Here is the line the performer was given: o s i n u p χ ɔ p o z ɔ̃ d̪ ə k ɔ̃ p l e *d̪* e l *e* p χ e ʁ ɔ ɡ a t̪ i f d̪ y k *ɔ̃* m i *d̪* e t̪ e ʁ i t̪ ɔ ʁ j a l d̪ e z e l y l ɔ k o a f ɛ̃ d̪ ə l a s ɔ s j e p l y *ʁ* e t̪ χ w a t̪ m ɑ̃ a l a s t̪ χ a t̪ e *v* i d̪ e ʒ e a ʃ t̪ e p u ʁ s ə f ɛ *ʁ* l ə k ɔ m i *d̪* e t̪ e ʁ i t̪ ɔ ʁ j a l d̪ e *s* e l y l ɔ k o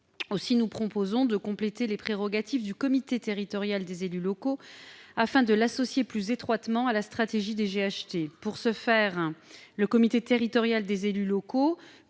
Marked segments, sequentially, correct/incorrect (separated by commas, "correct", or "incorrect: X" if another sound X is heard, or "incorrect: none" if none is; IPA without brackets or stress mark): incorrect: t̪, correct, incorrect: ɔ, incorrect: t̪, incorrect: z, incorrect: ʒ, correct, incorrect: t̪, incorrect: z